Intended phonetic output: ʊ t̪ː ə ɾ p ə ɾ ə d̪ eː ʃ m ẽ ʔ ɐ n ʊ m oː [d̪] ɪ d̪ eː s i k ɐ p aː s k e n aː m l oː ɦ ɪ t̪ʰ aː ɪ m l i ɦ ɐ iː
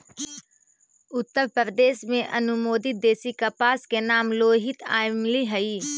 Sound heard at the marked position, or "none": d̪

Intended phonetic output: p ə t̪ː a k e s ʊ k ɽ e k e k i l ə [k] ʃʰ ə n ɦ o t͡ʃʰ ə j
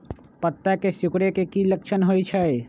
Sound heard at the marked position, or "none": k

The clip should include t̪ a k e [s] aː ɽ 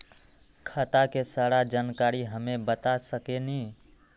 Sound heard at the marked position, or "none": s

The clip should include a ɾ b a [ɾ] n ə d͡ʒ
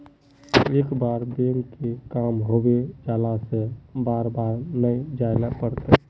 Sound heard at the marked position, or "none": ɾ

